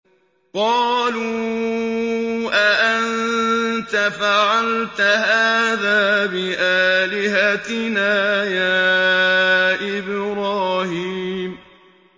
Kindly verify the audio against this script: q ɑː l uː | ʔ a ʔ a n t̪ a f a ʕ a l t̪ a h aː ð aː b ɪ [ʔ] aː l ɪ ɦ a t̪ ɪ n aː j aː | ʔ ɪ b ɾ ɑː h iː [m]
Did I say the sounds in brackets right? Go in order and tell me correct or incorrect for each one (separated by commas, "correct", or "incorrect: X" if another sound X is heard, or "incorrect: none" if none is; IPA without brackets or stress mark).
correct, correct